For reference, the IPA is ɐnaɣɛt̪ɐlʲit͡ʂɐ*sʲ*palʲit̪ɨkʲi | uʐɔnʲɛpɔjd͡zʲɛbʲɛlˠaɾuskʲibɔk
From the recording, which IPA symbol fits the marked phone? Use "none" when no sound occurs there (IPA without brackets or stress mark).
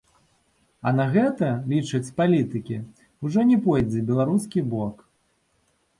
t͡sʲ